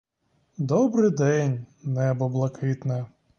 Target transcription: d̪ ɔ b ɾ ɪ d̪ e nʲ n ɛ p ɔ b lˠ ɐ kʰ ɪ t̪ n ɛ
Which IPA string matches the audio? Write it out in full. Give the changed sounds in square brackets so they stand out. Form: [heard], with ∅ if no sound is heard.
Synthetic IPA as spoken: d̪ ɔ b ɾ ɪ d̪ [ɛ] nʲ n ɛ [b] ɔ b lˠ ɐ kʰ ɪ t̪ n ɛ